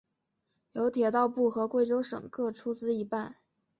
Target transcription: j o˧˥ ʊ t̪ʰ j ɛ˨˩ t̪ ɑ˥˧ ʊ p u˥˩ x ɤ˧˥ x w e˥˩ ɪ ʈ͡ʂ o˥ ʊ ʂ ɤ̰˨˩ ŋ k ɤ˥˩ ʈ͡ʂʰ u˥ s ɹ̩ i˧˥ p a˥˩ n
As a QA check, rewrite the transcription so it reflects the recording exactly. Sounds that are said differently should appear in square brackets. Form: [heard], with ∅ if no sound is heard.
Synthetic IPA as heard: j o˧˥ ʊ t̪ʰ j ɛ˨˩ t̪ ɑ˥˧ ʊ p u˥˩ x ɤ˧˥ [k] w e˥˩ ɪ ʈ͡ʂ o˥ ʊ ʂ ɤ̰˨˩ ŋ k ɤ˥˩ ʈ͡ʂʰ u˥ [t͡s] ɹ̩ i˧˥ p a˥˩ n